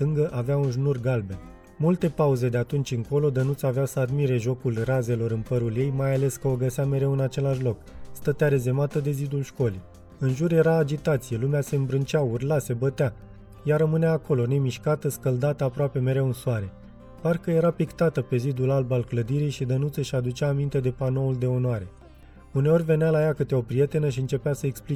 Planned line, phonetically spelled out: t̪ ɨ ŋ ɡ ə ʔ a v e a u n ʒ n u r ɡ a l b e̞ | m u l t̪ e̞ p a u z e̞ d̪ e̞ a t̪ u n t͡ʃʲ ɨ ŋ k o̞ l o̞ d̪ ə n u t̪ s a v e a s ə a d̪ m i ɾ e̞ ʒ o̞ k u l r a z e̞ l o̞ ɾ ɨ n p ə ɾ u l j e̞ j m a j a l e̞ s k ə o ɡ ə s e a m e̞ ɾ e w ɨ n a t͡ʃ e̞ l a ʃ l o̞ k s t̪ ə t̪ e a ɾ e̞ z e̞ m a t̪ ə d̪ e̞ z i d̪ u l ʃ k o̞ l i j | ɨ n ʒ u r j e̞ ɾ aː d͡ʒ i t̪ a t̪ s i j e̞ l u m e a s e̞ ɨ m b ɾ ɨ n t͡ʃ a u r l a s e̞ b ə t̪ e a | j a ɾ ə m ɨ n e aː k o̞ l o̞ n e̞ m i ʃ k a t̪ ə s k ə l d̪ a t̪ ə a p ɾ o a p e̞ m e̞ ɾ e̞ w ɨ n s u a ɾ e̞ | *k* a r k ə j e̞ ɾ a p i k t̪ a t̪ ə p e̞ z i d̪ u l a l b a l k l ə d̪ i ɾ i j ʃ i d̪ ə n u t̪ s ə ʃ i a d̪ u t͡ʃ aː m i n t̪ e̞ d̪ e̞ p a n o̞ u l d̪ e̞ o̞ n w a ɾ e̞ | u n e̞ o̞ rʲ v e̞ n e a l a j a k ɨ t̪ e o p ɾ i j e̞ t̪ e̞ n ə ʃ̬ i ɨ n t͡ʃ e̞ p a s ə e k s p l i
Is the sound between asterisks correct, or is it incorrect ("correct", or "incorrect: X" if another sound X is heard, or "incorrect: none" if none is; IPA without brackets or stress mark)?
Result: incorrect: p